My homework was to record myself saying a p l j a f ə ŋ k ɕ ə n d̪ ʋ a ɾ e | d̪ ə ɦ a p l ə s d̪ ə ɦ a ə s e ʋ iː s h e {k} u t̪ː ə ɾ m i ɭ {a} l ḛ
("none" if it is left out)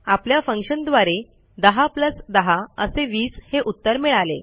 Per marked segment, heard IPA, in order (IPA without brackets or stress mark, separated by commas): ʔ, a